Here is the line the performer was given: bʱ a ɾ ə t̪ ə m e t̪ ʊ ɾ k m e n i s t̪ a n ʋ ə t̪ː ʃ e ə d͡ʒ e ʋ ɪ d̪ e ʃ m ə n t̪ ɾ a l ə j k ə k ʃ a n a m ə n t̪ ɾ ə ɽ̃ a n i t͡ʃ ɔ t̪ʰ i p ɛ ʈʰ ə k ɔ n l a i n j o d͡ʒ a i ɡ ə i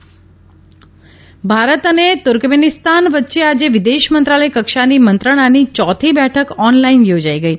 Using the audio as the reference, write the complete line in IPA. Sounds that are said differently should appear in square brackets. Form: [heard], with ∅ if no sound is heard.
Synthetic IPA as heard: bʱ a ɾ ə t̪ ə [n] e t̪ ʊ ɾ k m e n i s t̪ a n ʋ ə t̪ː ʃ e [a] d͡ʒ e ʋ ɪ d̪ e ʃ m ə n t̪ ɾ a l ə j k ə k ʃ a n [i] m ə n t̪ ɾ ə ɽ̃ a n i t͡ʃ ɔ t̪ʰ i [b] ɛ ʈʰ ə k ɔ n l a i n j o d͡ʒ a i ɡ ə i

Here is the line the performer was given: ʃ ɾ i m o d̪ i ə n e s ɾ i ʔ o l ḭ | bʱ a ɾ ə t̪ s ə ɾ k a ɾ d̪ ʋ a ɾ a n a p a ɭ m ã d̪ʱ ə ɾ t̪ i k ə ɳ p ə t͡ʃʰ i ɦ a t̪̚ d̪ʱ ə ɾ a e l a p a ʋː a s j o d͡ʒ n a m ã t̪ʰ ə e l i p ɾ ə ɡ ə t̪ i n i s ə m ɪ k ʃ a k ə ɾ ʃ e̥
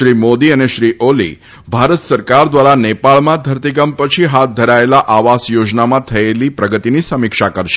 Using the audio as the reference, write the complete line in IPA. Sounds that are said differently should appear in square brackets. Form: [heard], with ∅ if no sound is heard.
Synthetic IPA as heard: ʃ ɾ i m o d̪ i ə n e [ʃ] ɾ i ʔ o l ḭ | bʱ a ɾ ə t̪ s ə ɾ k a ɾ d̪ ʋ a ɾ a n [e] p a ɭ m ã d̪ʱ ə ɾ t̪ i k ə [m] p ə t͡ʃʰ i ɦ a t̪̚ d̪ʱ ə ɾ a e l a [ʔ] a [ʋ] a s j o d͡ʒ n a m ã t̪ʰ ə e l i p ɾ ə ɡ ə t̪ i n i s ə m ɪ k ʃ a k ə ɾ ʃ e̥

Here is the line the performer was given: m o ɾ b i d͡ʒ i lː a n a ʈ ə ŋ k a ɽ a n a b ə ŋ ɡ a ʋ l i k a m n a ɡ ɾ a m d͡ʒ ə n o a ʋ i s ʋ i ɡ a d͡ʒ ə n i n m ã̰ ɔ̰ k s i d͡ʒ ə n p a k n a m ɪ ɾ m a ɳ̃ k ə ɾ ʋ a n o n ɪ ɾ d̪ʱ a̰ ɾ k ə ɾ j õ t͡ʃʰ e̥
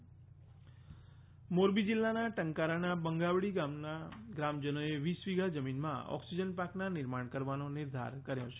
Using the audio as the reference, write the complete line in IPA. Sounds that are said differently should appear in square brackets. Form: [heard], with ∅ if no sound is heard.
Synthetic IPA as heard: m o ɾ b i d͡ʒ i lː a n a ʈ ə ŋ k a [ɾ] a n a b ə ŋ ɡ a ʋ [ɽ] i [ɡ] a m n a ɡ ɾ a m d͡ʒ ə n o [e] ʋ i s ʋ i ɡ a d͡ʒ ə [m] i n m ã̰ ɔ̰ k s i d͡ʒ ə n p a k n a [n] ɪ ɾ m a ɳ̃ k ə ɾ ʋ a n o n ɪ ɾ d̪ʱ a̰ ɾ k ə ɾ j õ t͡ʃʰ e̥

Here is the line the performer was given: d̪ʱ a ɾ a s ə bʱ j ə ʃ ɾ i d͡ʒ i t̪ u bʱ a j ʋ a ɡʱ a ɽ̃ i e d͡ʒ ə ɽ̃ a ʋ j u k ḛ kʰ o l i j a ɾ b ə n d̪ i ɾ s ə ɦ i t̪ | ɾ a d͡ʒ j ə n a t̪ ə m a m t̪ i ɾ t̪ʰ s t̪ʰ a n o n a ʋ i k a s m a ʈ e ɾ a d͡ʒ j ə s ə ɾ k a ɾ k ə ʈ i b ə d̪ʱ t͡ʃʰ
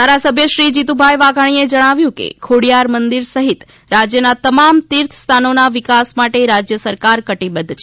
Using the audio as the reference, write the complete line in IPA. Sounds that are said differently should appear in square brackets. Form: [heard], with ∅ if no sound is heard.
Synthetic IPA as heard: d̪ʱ a ɾ a s ə bʱ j ə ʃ ɾ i d͡ʒ i t̪ u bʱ a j ʋ a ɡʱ a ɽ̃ i e d͡ʒ ə ɽ̃ a ʋ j [ũ] k ḛ kʰ o [ɽ] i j a ɾ [m] ə n d̪ i ɾ s ə ɦ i t̪ | ɾ a d͡ʒ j ə n a t̪ ə m a m t̪ i ɾ t̪ʰ s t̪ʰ a n o n a ʋ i k a s m a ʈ e ɾ a d͡ʒ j ə s ə ɾ k a ɾ k ə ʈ i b ə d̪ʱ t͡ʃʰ

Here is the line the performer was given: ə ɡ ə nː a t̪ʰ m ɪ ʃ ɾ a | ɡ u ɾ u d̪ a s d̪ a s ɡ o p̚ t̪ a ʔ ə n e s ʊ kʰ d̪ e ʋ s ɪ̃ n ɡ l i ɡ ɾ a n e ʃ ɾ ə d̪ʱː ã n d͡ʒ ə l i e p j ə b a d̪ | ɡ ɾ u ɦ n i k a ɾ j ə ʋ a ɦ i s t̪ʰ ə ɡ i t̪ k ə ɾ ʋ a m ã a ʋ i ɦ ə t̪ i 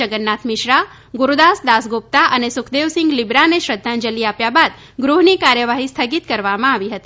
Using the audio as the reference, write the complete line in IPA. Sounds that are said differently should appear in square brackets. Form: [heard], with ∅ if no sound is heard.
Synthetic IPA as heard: ə ɡ ə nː a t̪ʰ m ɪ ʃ ɾ a | ɡ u ɾ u d̪ a s d̪ a s ɡ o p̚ t̪ a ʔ ə n e s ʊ kʰ d̪ e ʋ s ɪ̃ [ŋ] ɡ l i [b] ɾ a n e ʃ ɾ ə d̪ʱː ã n d͡ʒ ə l i [a] p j [a] b a d̪ | ɡ ɾ u ɦ n i k a ɾ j ə ʋ a ɦ i s t̪ʰ ə ɡ i t̪ k ə ɾ ʋ a m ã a ʋ i ɦ ə t̪ i

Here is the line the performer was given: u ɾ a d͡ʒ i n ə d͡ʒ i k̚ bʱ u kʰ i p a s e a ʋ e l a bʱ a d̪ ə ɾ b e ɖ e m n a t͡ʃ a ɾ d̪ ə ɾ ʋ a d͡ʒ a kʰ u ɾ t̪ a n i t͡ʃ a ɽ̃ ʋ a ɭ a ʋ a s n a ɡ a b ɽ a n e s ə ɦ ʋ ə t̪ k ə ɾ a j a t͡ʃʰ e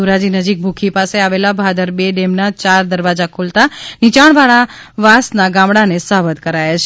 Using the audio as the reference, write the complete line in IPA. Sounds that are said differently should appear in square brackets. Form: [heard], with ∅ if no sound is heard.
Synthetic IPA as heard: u ɾ a d͡ʒ i n ə d͡ʒ i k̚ bʱ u kʰ i p a s e a ʋ e l a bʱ a d̪ ə ɾ b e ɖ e m n a t͡ʃ a ɾ d̪ ə ɾ ʋ a d͡ʒ a kʰ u [l] t̪ a n i t͡ʃ a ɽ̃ ʋ a ɭ a ʋ a s n a ɡ a [m] ɽ a n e s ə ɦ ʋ ə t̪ k ə ɾ a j a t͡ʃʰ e

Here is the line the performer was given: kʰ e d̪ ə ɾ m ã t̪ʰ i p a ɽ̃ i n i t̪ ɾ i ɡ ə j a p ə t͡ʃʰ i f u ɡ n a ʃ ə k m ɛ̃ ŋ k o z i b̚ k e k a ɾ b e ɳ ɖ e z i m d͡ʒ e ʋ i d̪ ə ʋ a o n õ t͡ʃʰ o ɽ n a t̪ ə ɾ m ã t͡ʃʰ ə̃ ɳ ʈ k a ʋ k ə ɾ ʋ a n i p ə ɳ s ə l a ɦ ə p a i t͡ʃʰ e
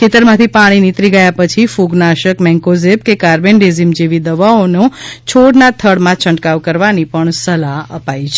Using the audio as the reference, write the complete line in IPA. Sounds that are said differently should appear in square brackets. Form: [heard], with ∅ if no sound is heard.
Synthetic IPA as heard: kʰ e [t̪] ə ɾ m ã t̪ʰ i p a ɽ̃ i n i t̪ ɾ i ɡ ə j a p ə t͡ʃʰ i f u ɡ n a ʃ ə k m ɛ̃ ŋ k o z [e] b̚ k e k a ɾ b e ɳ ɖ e z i m d͡ʒ e ʋ i d̪ ə ʋ a o n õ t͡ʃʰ o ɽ n a [t̪ʰ] ə [ɽ] m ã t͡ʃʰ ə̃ ɳ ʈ k a ʋ k ə ɾ ʋ a n i p ə ɳ s ə l a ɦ ə p a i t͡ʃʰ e

